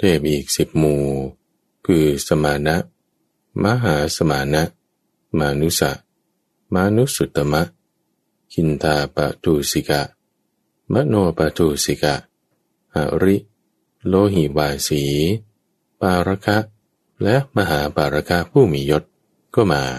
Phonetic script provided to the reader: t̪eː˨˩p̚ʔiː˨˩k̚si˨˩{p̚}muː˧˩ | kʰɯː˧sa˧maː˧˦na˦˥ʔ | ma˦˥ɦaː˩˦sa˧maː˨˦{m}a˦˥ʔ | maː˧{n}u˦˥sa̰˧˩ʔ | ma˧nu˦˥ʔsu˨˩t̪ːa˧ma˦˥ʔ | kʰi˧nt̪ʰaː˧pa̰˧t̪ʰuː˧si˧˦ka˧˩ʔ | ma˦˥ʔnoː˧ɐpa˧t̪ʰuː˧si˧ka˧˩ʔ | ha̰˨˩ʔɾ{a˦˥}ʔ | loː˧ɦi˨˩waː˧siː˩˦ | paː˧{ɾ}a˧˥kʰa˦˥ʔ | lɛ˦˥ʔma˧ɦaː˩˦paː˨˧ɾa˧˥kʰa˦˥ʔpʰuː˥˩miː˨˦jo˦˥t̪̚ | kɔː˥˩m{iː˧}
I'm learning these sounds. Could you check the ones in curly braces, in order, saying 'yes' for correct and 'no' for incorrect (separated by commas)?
yes, no, yes, no, yes, no